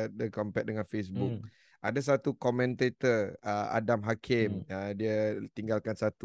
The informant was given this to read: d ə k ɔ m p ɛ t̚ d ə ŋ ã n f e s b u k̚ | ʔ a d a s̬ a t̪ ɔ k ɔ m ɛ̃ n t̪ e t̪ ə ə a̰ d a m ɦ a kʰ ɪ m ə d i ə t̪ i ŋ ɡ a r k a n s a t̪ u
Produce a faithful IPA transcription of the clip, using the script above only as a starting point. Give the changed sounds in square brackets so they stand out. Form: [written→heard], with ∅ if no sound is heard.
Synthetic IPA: d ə k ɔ m p ɛ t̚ d ə ŋ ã n f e s b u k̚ | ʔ a d a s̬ a t̪ [ɔ→u] k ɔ m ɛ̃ n t̪ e t̪ ə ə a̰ d a m ɦ a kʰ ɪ m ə d i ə t̪ i ŋ ɡ a [r→l] k a n s a t̪ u